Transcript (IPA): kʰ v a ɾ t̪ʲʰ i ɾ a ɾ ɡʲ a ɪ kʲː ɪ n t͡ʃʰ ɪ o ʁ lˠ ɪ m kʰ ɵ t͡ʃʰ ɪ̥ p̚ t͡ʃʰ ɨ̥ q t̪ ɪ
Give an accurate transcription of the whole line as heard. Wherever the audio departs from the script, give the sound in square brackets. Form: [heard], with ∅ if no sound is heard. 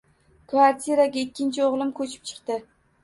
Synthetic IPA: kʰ v a ɾ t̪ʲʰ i ɾ a [∅] ɡʲ a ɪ kʲː ɪ n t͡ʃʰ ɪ o ʁ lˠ ɪ m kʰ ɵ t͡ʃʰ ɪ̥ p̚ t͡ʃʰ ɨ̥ q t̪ ɪ